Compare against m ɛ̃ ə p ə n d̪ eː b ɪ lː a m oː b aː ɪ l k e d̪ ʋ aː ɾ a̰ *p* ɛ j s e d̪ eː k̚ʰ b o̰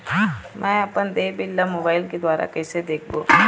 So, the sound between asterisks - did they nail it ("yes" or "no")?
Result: no